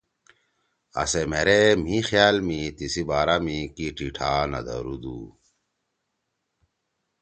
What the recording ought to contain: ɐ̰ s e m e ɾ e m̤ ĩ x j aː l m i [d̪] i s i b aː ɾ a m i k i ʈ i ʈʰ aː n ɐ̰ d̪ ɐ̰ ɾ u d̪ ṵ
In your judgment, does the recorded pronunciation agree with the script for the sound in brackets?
no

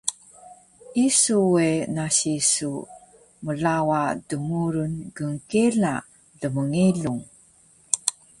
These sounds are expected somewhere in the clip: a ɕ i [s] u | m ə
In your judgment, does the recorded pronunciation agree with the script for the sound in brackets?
yes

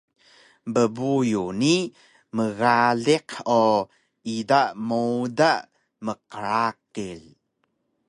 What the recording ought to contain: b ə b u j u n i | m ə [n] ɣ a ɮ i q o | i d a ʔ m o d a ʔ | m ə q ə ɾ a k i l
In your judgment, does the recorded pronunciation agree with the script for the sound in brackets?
no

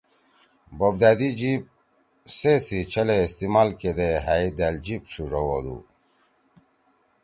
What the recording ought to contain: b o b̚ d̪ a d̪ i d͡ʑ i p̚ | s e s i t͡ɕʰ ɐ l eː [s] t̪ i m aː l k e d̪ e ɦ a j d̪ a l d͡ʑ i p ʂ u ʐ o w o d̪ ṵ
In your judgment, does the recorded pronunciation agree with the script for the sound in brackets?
yes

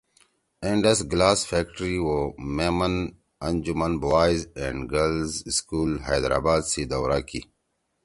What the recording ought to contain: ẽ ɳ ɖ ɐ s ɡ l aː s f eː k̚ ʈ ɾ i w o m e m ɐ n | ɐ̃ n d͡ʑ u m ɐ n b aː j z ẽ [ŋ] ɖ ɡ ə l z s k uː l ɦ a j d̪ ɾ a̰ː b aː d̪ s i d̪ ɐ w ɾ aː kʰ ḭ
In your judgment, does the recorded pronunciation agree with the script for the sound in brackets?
no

